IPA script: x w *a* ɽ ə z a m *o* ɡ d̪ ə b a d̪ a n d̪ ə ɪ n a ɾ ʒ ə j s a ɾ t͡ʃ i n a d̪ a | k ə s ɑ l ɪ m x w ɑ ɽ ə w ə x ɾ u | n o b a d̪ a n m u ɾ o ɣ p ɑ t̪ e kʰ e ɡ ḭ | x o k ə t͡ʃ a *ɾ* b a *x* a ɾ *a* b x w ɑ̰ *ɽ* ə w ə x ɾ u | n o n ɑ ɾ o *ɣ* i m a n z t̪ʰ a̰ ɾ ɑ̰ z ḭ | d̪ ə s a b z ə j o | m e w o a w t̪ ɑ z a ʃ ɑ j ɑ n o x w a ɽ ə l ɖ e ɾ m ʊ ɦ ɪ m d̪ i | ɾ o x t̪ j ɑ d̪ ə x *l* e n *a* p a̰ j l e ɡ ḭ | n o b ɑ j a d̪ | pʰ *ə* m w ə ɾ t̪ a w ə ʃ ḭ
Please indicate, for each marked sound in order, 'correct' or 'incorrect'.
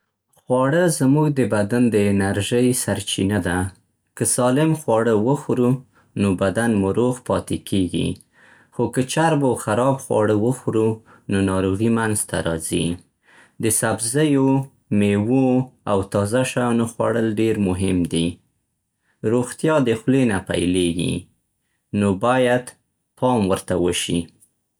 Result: incorrect: ɑ, incorrect: u, correct, correct, incorrect: ɑ, correct, correct, correct, correct, incorrect: ɑ

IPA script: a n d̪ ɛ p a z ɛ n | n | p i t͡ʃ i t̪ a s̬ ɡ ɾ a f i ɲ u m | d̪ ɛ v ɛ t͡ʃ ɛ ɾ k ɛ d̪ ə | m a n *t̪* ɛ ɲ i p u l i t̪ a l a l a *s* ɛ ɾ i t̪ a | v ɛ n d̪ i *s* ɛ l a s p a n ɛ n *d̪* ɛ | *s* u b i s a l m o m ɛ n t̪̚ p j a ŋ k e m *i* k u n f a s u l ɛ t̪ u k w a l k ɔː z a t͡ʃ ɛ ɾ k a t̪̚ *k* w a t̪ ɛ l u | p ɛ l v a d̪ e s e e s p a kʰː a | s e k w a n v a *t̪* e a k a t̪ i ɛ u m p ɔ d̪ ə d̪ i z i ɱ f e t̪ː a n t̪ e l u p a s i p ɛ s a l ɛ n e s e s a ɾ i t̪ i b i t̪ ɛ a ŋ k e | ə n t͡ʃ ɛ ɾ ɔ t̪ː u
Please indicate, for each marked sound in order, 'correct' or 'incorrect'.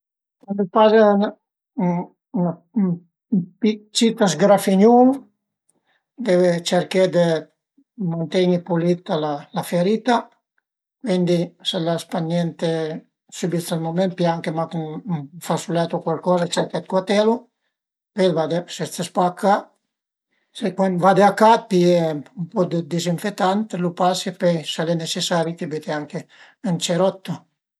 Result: correct, incorrect: f, correct, incorrect: t̪, correct, incorrect: a, correct, incorrect: d̪

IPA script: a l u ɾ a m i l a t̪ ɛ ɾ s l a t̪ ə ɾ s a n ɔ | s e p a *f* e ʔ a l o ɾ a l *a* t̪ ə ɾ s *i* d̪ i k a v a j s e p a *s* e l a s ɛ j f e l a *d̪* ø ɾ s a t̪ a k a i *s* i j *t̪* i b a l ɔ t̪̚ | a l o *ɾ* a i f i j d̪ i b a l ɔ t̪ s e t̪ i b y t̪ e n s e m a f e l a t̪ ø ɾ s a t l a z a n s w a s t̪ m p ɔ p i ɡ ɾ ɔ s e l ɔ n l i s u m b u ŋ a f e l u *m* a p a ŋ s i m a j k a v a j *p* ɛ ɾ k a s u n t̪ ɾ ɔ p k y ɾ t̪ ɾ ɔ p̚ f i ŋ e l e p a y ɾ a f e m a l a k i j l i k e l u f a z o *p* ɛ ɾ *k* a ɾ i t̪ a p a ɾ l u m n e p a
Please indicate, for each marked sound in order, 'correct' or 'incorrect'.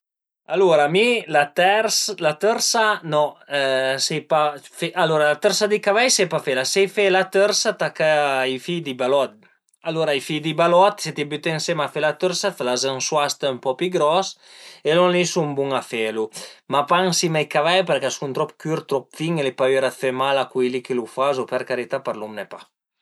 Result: correct, correct, incorrect: a, incorrect: f, incorrect: t̪, incorrect: f, incorrect: d̪, correct, correct, correct, correct, correct

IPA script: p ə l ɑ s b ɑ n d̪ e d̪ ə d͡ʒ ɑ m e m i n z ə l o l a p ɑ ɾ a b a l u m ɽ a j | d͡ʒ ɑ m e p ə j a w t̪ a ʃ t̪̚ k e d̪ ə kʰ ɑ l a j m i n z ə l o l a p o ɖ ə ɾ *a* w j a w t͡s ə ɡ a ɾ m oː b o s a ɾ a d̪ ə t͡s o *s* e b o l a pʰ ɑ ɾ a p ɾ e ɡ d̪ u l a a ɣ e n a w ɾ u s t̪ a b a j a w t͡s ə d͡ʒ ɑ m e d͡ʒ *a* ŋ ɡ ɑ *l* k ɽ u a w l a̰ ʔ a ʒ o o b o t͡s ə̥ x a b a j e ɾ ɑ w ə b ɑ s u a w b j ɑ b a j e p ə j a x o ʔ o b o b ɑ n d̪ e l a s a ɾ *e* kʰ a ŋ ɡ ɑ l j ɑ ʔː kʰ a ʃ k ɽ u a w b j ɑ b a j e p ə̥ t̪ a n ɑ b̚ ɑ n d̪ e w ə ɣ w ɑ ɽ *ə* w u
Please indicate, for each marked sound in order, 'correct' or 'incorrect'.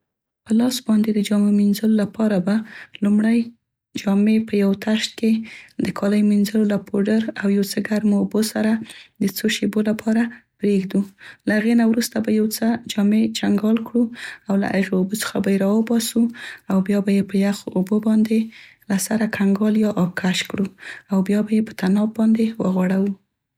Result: correct, incorrect: ʃ, correct, correct, incorrect: a, incorrect: a

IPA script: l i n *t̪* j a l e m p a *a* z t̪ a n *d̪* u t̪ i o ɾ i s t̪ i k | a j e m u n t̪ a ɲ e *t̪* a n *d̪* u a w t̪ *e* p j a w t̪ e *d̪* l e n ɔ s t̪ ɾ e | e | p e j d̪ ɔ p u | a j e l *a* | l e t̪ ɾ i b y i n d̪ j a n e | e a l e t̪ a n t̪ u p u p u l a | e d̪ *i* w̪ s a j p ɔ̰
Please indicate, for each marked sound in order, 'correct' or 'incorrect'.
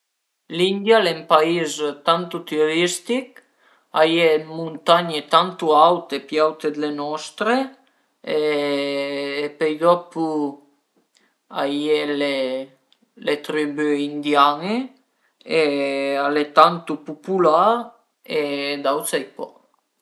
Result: incorrect: d̪, incorrect: i, incorrect: t̪, correct, incorrect: t̪, correct, correct, incorrect: e, incorrect: a

